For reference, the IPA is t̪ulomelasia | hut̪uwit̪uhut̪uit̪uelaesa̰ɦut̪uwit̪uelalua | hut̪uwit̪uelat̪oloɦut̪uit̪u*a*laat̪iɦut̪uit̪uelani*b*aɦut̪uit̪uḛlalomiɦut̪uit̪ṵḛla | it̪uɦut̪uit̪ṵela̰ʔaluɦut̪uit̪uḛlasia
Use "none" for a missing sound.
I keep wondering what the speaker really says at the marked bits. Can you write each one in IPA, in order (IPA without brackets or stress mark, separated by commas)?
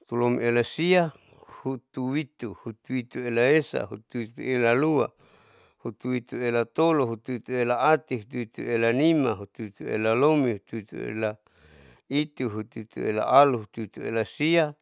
e, m